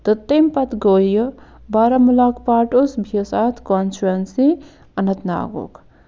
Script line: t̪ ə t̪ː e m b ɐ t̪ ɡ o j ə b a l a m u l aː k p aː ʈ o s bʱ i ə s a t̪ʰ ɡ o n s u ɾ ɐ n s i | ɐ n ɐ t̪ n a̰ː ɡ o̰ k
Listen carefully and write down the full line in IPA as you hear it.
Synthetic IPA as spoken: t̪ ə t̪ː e m p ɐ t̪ ɡ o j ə b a ɾ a m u l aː k p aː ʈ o s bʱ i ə s a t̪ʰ k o n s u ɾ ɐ n s i | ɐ n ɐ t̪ n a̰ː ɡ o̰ k